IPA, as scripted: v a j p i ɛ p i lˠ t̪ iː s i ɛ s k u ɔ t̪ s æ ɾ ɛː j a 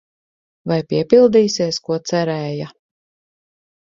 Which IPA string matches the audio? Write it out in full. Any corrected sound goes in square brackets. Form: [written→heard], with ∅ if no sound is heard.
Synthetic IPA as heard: v a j p i ɛ p i lˠ [t̪→d̪] iː s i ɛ s k u ɔ t̪ s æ ɾ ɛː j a